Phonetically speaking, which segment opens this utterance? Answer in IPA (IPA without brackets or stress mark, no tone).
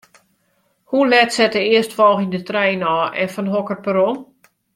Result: h